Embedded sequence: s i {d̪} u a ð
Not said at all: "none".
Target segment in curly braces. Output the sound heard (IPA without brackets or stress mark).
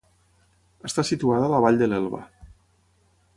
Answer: t̪